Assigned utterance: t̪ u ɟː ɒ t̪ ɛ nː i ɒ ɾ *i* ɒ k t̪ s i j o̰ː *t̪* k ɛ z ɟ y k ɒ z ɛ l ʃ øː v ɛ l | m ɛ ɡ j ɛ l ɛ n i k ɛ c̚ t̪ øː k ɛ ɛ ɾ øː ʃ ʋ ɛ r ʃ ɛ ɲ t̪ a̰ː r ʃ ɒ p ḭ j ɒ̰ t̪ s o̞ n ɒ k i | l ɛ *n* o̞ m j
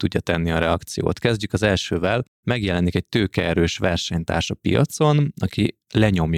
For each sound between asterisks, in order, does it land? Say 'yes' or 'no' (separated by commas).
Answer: no, yes, no